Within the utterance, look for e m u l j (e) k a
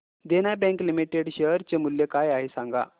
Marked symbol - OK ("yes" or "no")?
yes